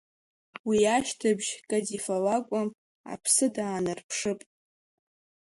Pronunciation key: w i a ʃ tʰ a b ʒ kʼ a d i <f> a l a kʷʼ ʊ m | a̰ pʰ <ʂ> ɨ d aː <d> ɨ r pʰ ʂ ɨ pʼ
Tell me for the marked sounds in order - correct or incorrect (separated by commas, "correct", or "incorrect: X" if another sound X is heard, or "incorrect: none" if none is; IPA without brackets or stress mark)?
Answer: correct, incorrect: s, incorrect: n